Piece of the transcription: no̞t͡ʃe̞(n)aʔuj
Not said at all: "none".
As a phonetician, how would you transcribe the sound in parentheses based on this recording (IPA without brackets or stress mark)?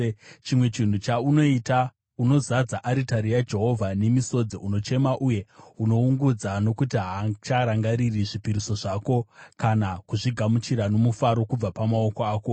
m